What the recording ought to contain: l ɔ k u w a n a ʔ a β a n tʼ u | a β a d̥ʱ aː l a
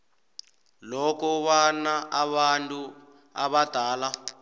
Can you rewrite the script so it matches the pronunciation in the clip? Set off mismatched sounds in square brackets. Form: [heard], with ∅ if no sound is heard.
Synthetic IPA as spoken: l ɔ k [ɔ] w a n a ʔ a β a n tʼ u | a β a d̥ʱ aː l a